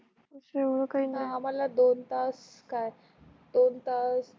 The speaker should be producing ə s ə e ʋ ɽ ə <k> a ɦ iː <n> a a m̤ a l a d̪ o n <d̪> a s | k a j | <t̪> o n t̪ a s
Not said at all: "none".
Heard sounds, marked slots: k, n, t̪, d̪

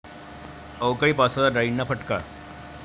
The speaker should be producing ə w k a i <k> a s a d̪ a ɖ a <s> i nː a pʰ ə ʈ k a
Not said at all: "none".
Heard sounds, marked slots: p, none

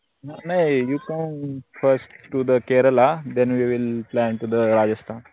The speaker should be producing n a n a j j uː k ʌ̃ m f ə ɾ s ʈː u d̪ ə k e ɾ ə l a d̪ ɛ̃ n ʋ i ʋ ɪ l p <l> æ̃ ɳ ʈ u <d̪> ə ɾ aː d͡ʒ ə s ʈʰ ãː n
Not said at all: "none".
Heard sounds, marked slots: l, d̪

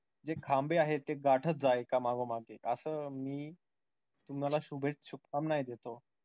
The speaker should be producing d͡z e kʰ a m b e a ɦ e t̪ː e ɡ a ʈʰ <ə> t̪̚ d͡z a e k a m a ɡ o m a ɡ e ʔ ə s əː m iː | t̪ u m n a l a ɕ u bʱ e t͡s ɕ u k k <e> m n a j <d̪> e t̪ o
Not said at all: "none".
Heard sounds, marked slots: ə, a, d̪

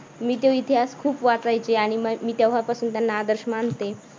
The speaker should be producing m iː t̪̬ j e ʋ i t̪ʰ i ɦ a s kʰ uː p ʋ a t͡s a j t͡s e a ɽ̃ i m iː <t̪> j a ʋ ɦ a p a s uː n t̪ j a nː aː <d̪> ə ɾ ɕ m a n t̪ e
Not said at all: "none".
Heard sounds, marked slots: t̪, d̪

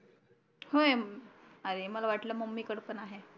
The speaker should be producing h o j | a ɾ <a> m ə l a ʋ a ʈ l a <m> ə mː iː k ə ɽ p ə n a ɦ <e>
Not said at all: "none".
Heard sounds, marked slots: e, m, e

